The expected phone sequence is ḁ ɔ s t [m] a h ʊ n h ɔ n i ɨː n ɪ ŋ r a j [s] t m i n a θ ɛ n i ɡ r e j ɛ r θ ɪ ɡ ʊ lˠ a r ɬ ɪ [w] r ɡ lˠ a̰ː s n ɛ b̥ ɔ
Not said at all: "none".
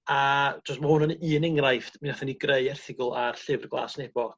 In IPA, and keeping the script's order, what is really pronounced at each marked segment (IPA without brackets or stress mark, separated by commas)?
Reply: m, f, v